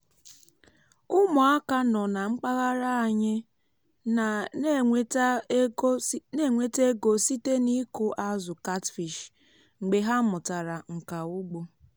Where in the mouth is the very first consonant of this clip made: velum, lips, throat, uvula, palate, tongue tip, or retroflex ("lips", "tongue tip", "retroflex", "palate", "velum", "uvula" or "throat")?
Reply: lips